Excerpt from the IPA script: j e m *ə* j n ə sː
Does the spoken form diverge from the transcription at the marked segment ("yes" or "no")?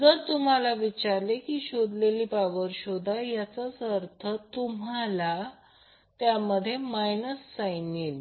yes